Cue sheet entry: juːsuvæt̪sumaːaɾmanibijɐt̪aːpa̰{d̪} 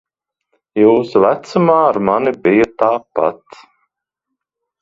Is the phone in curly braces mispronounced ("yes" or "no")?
yes